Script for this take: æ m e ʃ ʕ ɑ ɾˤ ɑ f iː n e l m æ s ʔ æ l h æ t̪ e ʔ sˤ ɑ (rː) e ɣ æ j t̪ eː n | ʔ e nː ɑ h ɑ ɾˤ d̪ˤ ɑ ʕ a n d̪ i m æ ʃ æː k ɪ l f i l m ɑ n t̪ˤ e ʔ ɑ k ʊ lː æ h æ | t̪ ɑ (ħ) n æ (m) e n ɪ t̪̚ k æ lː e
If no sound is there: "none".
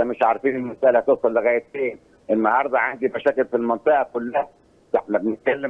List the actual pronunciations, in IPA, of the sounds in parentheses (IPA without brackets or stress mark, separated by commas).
lː, ħ, b